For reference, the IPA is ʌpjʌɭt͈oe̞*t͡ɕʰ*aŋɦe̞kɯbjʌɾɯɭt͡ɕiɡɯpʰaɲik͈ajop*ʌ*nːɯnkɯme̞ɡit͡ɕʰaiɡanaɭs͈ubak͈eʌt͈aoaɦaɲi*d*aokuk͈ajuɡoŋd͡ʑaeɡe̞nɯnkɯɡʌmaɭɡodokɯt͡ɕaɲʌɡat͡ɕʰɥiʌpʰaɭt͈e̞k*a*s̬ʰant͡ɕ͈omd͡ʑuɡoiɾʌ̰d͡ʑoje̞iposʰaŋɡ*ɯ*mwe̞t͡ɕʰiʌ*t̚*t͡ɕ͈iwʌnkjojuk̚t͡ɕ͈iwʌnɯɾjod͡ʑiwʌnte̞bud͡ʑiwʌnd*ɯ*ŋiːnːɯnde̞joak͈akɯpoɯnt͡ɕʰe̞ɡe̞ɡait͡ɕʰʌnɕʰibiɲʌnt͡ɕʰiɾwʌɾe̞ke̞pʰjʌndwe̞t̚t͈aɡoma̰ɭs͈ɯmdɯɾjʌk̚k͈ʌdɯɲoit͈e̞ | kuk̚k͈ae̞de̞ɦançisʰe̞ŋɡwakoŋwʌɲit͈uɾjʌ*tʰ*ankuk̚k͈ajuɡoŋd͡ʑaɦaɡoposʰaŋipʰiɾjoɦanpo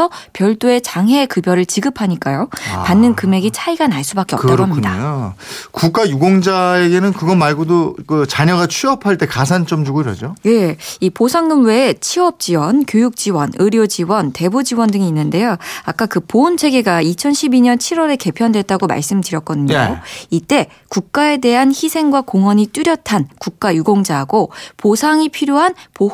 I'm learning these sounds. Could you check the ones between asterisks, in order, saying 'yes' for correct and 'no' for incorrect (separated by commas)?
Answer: no, no, yes, yes, yes, no, yes, yes